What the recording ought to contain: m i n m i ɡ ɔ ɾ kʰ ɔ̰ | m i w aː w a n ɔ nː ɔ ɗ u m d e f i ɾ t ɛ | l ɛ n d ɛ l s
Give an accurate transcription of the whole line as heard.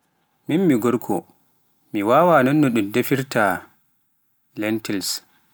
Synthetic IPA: m i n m i ɡ ɔ ɾ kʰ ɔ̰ | m i w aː w a n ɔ nː ɔ ɗ u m d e f i ɾ t a | l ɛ n t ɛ l s